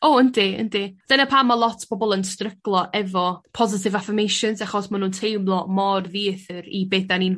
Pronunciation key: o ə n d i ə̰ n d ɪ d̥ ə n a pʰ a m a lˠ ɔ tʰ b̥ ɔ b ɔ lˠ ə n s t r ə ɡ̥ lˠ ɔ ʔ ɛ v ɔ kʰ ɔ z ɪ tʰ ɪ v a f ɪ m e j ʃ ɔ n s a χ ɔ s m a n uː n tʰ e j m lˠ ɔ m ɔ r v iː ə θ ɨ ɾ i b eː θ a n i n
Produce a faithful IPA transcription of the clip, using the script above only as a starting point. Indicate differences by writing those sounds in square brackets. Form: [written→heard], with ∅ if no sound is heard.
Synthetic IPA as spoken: o ə n d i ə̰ n d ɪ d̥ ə n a pʰ a m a lˠ ɔ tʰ b̥ ɔ b ɔ lˠ ə n s t r ə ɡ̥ lˠ ɔ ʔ ɛ v ɔ [kʰ→pʰ] ɔ z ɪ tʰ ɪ v a f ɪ m e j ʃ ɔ n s a χ ɔ s m a n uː n tʰ e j m lˠ ɔ m ɔ r [v→ð] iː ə θ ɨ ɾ i b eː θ a n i n